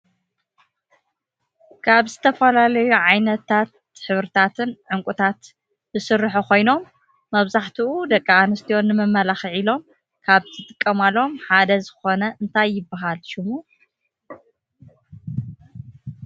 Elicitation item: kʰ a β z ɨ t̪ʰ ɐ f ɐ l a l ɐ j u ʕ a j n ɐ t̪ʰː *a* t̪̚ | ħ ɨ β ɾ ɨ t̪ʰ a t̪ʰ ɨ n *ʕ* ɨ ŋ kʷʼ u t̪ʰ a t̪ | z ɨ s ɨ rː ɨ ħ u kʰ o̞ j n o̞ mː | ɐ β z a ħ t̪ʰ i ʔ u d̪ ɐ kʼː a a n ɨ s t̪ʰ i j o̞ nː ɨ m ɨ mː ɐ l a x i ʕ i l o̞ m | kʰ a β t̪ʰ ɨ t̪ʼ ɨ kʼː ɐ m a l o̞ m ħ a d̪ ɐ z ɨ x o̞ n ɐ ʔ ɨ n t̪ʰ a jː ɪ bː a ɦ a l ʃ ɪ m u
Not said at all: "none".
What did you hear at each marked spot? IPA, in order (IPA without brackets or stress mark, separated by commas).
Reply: a, ʕ